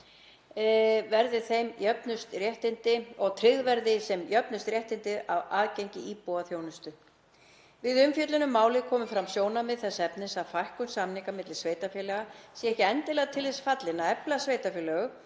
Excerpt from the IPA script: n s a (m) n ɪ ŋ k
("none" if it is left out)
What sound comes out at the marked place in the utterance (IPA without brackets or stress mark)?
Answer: m